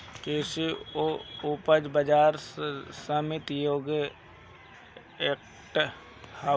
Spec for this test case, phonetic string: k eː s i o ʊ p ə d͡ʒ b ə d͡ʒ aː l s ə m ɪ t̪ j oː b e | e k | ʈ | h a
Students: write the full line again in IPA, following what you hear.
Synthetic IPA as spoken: k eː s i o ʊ p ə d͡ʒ b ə d͡ʒ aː ɾ s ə m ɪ t̪ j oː ɡ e | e k | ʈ | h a